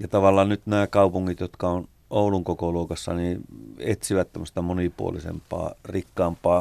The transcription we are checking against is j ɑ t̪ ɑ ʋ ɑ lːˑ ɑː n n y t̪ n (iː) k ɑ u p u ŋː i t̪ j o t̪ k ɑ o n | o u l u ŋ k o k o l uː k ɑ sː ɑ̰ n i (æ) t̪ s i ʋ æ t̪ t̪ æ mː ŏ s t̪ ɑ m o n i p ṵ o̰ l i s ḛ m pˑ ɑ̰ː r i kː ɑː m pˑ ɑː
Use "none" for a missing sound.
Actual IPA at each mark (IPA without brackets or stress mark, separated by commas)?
æː, e